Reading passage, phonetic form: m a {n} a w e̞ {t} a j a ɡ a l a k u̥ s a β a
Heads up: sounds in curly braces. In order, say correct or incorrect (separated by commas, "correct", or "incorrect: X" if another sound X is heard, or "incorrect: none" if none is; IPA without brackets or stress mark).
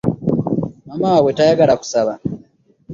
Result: incorrect: m, correct